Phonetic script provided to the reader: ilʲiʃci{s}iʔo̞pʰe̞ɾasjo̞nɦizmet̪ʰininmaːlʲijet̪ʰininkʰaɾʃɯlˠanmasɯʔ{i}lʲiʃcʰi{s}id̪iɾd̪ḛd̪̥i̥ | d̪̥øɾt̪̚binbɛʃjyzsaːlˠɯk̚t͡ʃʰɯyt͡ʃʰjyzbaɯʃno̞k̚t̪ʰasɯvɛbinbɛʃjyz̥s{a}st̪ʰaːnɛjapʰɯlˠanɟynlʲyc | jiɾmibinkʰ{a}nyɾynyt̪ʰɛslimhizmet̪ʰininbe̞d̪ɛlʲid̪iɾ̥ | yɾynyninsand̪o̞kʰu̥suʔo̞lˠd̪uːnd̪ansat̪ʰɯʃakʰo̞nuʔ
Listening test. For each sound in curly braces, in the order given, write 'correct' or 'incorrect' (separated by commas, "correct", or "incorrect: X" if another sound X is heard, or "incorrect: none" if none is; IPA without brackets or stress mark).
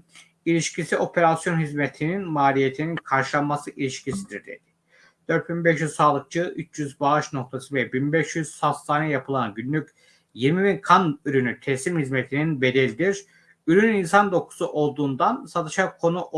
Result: correct, correct, correct, correct, correct